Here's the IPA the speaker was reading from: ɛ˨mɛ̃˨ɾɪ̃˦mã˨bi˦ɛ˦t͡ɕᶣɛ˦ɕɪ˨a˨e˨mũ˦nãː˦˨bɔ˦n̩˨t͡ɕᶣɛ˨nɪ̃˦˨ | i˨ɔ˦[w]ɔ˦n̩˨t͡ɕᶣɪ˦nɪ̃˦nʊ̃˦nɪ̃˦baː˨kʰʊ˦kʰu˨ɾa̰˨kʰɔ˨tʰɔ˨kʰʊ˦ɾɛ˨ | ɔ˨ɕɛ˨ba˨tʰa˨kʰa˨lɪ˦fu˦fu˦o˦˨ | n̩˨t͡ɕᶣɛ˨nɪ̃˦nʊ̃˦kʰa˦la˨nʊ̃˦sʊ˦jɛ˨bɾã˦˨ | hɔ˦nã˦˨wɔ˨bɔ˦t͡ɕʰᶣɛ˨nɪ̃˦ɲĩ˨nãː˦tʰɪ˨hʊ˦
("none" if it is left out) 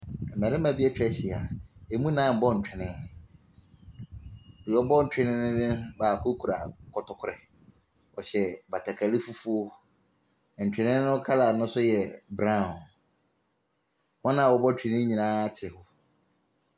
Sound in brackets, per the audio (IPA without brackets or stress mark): b